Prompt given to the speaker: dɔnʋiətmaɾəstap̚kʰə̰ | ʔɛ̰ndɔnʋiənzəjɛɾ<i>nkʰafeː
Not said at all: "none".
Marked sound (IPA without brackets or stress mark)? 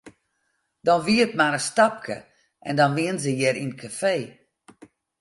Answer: i